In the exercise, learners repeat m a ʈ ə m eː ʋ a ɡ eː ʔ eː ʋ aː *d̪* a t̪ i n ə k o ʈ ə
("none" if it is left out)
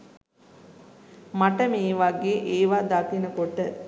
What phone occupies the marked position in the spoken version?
d̪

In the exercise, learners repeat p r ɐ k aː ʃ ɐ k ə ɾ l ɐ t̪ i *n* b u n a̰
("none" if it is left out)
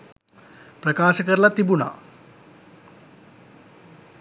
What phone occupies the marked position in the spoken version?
none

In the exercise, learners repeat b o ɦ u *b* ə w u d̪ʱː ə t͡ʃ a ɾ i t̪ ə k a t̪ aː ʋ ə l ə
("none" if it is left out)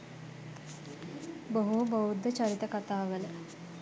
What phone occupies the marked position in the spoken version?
b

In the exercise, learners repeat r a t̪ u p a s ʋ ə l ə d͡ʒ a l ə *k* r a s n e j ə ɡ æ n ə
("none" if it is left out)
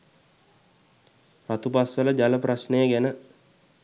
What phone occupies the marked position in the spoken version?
p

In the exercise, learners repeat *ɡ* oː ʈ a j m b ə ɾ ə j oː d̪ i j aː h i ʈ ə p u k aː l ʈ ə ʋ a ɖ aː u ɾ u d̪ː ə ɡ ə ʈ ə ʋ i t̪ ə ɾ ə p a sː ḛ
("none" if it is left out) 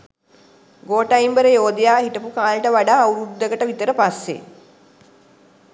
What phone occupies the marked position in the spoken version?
ɡ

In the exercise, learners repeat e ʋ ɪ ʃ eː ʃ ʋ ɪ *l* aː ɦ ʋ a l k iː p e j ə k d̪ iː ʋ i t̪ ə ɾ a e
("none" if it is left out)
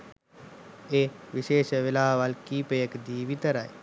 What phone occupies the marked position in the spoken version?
l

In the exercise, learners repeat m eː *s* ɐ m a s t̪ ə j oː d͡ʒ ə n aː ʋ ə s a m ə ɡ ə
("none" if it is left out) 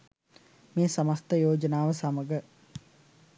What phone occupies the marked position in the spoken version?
s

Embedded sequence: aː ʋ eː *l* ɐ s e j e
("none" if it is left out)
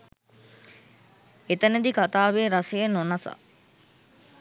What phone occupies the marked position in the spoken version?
ɾ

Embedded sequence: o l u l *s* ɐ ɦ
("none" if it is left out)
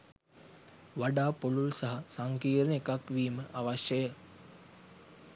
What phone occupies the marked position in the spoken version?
s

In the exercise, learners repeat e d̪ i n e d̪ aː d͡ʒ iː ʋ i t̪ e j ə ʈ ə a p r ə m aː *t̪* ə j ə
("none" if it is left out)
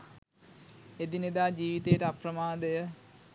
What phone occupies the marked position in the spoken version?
d̪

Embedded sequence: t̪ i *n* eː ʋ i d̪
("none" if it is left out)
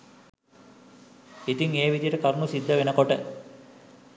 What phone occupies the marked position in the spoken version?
ŋ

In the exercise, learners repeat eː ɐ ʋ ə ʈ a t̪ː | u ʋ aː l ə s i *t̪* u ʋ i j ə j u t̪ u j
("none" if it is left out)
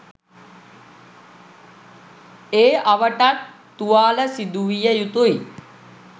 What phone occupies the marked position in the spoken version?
d̪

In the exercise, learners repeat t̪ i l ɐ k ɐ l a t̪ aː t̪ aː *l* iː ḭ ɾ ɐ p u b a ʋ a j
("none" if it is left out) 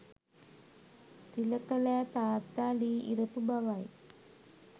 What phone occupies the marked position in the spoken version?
l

